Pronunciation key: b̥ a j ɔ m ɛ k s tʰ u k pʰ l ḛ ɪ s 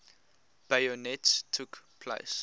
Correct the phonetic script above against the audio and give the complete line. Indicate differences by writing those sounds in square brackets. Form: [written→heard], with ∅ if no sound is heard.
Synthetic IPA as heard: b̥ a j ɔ [m→n] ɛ [k→t] s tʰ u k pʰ l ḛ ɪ s